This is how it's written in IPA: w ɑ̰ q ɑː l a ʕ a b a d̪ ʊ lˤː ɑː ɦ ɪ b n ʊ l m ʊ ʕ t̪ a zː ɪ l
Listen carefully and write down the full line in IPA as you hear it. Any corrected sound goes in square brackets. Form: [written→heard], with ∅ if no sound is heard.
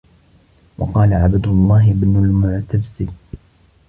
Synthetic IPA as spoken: w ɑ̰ q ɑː l a ʕ a b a d̪ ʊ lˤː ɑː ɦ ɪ b n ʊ l m ʊ ʕ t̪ a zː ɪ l